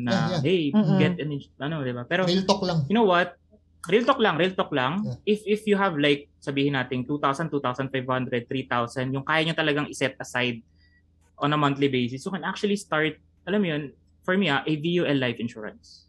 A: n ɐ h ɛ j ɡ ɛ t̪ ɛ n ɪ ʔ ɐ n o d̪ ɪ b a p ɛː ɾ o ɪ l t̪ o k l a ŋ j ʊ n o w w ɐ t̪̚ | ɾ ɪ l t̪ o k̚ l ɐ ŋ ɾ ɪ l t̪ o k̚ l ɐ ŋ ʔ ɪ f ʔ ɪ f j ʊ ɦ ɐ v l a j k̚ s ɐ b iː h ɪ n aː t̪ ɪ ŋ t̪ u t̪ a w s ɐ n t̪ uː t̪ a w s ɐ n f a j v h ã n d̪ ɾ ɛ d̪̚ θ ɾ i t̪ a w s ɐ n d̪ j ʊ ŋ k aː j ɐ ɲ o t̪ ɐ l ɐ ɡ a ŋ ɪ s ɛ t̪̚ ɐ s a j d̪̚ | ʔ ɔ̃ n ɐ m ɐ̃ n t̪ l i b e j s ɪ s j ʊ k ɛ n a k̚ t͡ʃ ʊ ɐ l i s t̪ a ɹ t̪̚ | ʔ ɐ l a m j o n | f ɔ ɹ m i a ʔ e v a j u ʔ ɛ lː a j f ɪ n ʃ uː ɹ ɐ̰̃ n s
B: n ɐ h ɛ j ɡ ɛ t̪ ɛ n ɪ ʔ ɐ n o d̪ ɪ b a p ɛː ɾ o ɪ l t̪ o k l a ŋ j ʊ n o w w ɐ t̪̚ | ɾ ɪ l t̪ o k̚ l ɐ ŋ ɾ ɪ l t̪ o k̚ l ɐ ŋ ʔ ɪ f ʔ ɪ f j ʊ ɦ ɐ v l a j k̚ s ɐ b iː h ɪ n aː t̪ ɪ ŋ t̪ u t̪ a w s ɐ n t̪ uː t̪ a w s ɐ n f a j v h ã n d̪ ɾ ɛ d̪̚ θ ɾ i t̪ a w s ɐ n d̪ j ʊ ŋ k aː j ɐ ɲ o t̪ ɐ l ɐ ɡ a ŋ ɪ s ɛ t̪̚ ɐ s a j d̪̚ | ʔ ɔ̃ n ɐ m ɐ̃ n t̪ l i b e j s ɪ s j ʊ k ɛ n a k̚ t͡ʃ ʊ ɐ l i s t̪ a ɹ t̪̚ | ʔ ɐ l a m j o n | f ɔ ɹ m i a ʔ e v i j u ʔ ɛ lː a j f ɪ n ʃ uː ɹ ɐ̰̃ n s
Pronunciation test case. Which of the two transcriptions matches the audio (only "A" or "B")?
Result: B